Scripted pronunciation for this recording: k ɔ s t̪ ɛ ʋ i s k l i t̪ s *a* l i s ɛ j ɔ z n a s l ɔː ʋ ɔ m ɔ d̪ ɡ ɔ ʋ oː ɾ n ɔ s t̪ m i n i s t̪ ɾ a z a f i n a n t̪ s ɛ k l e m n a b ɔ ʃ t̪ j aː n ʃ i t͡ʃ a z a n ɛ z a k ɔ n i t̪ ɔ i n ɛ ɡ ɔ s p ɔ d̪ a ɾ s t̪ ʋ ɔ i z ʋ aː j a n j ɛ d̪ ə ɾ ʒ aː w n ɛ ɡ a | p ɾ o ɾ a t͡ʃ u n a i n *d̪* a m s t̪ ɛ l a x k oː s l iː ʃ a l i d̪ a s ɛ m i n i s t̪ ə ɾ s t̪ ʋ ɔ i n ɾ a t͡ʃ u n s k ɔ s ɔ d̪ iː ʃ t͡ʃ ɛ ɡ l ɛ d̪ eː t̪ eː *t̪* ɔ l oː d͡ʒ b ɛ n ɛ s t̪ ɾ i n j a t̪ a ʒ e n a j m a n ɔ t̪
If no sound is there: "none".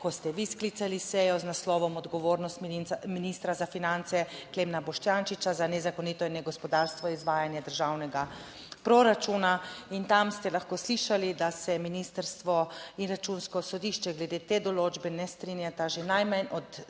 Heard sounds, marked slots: a, t̪, d̪

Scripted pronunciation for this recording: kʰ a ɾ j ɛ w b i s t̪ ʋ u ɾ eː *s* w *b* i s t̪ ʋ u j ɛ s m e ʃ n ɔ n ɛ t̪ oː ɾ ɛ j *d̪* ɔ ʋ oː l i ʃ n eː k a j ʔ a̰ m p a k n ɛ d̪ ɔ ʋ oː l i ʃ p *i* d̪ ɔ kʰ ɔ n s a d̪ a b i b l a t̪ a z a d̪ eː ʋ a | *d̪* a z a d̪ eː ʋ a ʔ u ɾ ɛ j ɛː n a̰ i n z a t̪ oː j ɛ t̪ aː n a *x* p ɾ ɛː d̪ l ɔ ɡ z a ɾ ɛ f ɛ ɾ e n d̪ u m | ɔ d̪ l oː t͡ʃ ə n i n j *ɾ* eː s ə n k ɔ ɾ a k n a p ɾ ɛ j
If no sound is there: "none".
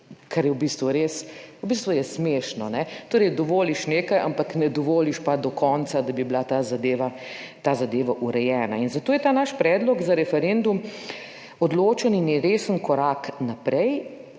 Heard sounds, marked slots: s, b, d̪, a, t̪, ʃ, ɾ

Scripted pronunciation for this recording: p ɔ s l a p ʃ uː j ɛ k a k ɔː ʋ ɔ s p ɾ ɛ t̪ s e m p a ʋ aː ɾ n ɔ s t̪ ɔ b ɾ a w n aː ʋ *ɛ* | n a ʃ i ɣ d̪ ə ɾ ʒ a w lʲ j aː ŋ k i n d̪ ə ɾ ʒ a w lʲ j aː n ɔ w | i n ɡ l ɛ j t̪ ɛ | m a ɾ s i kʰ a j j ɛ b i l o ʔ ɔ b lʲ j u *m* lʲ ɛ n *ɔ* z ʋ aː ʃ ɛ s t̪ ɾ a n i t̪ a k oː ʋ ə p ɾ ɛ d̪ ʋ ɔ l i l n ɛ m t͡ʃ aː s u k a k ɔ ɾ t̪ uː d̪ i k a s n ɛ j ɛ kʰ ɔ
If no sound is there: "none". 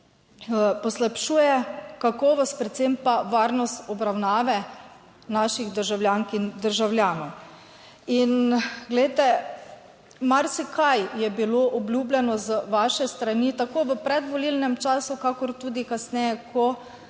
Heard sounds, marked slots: ɛ, b, ɔ

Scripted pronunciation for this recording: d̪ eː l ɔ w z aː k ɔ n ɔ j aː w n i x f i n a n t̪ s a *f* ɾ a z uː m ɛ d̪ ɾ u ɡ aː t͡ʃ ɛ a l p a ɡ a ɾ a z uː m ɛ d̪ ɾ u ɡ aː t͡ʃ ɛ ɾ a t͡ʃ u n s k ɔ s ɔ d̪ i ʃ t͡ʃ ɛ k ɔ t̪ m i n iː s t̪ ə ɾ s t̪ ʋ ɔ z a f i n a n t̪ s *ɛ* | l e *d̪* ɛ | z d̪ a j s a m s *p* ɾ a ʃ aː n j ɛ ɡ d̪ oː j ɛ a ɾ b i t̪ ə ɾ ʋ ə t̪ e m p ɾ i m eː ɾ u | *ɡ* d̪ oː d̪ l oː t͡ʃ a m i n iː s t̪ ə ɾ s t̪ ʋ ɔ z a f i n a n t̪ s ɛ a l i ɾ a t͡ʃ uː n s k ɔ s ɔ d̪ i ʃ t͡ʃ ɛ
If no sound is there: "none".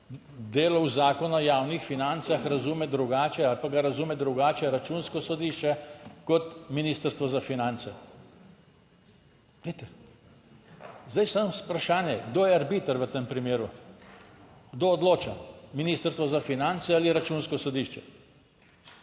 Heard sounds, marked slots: x, ɛ, t̪, p, ɡ

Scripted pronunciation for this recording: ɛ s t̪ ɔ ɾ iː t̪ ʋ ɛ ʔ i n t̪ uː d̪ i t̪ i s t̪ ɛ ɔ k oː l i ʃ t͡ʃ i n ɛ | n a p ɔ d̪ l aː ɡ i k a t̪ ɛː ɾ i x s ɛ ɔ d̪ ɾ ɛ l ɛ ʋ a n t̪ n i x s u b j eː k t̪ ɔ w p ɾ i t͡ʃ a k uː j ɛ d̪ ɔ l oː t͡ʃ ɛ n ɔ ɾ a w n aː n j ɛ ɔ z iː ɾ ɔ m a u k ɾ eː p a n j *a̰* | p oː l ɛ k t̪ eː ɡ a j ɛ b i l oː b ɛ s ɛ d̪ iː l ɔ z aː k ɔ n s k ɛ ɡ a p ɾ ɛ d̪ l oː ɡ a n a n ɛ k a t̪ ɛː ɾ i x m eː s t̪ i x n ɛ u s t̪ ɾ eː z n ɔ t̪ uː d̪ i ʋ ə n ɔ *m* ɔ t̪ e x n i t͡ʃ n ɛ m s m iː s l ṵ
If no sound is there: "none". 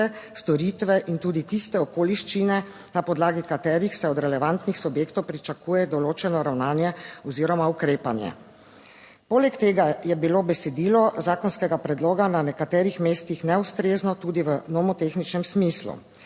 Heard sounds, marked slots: ɛ̰, m

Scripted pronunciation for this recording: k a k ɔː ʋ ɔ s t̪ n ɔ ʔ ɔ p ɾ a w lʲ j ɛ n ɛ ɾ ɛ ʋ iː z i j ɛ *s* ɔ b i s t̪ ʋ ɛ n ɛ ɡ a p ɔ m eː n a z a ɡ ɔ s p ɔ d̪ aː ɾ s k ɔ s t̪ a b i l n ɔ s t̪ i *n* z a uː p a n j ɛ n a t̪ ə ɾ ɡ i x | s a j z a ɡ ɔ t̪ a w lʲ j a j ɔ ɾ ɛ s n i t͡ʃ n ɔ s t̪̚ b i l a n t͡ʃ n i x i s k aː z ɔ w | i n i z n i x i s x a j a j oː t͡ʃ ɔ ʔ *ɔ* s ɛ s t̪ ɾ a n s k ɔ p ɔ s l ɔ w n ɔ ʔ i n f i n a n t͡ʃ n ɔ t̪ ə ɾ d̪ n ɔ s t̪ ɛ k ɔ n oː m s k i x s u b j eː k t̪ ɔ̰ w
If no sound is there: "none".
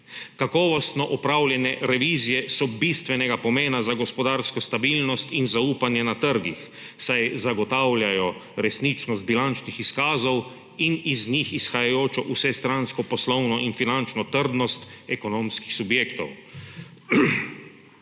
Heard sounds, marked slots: s, n, u

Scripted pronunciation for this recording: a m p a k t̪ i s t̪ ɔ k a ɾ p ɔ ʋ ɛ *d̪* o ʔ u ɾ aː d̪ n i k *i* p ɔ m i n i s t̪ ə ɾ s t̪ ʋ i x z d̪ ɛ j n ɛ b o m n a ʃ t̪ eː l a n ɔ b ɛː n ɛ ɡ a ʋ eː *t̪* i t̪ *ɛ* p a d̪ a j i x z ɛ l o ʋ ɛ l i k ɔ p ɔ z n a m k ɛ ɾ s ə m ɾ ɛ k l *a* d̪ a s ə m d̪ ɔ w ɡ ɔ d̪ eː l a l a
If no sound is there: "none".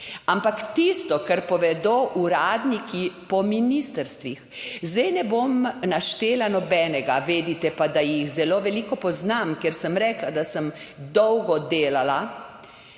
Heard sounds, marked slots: d̪, i, d̪, ɛ, a

